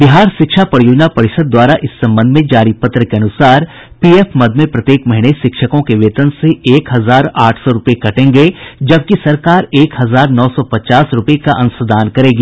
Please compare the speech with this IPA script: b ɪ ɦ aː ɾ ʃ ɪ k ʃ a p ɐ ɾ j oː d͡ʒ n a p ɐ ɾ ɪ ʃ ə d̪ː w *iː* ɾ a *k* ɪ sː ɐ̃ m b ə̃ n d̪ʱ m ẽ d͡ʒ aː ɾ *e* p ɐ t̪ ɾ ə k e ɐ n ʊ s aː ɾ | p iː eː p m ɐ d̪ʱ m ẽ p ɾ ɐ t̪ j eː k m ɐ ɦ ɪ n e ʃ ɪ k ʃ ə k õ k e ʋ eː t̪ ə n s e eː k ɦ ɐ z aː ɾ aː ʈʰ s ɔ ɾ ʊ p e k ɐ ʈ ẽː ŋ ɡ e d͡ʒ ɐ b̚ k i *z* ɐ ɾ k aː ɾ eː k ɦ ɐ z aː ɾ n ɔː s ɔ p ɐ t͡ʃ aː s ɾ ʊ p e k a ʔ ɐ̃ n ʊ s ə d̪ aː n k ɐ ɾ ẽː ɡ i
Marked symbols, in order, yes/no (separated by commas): no, no, no, no